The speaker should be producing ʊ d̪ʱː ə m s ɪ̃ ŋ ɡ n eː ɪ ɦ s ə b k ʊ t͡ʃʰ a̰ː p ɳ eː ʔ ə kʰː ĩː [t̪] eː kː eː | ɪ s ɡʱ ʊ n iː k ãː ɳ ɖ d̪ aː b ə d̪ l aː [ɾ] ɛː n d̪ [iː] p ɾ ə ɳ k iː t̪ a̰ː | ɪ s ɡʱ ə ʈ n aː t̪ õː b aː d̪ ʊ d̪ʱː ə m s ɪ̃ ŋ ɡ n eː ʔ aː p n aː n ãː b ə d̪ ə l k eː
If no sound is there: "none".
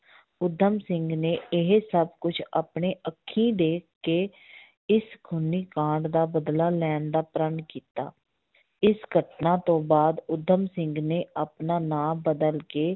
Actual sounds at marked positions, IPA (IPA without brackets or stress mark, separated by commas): d̪, l, aː